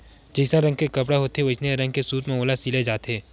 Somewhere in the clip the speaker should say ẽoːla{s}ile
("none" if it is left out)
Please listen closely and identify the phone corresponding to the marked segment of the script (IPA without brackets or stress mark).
s